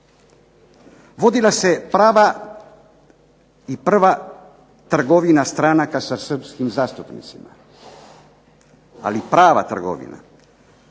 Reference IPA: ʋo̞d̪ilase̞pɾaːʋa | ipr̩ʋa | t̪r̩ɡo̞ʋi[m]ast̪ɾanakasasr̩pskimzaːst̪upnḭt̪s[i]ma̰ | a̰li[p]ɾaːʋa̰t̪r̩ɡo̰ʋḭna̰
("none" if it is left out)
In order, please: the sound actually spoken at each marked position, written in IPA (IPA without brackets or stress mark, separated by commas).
n, i, p